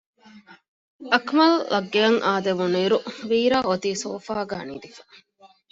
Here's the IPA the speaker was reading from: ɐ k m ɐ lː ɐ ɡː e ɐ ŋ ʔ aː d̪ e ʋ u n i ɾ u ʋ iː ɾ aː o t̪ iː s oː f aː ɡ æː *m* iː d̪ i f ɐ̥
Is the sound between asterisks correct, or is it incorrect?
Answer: incorrect